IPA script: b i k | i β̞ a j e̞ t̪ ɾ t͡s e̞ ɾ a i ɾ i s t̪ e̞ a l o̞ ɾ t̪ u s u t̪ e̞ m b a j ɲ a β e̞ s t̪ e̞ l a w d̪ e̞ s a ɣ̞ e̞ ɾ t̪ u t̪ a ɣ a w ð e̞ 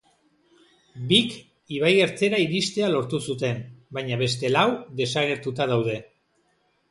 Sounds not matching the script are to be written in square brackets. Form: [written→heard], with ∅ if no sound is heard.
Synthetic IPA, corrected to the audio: b i k | i β̞ a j e̞ [t̪→∅] ɾ t͡s e̞ ɾ a i ɾ i s t̪ e̞ a l o̞ ɾ t̪ u s u t̪ e̞ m b a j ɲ a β e̞ s t̪ e̞ l a w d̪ e̞ s a ɣ̞ e̞ ɾ t̪ u t̪ a [ɣ→ð] a w ð e̞